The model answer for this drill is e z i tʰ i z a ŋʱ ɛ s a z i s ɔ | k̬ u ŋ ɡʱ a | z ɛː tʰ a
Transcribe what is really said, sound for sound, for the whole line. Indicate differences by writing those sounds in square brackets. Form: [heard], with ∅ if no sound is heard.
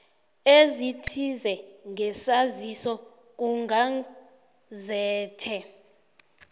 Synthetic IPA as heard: e z i tʰ i z [ɛ] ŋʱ ɛ s a z i s ɔ | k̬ u ŋ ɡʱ a | z ɛː tʰ [ɛ]